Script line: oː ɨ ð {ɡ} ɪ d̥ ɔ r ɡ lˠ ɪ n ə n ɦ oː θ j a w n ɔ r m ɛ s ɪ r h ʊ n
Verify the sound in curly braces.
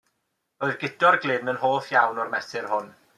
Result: correct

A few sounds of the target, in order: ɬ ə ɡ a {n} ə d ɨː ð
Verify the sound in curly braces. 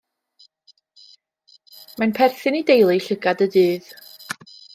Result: incorrect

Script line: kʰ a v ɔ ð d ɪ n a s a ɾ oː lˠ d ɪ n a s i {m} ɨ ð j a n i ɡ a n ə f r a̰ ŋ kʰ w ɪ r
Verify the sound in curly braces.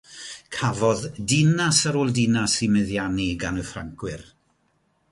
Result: correct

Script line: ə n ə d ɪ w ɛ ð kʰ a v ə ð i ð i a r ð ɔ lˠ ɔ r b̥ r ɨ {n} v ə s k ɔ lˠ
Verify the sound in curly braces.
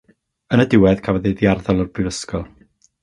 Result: incorrect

